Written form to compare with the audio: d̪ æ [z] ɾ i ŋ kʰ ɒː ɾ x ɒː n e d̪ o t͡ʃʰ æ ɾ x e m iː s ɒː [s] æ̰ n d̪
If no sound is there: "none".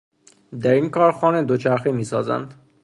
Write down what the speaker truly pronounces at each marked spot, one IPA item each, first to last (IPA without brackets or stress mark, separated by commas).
none, z